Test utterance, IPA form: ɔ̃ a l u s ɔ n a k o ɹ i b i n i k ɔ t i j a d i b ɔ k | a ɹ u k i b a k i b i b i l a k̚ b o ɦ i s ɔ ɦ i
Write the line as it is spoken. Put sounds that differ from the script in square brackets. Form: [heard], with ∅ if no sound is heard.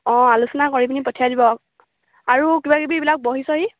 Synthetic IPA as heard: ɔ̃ a l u s ɔ n a k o ɹ i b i n i [p] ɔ [tʰ] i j a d i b ɔ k | a ɹ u k i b a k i b i b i l a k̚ b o ɦ i s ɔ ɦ i